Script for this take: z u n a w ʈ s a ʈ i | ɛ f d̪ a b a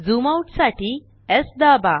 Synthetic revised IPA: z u m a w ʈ s a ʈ i | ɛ s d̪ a b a